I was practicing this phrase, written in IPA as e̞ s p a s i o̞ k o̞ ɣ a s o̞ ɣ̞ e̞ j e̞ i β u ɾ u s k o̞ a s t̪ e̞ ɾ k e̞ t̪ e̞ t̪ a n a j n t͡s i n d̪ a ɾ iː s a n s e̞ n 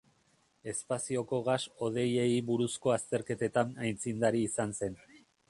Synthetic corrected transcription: e̞ s p a s i o̞ k o̞ ɣ a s o̞ ð̞ e̞ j e̞ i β u ɾ u s k o̞ a s t̪ e̞ ɾ k e̞ t̪ e̞ t̪ a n a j n t͡s i n d̪ a ɾ iː s a n s e̞ n